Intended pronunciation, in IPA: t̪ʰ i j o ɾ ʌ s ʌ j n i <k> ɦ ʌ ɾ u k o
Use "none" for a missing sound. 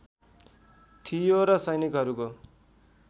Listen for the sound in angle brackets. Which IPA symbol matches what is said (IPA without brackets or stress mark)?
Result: k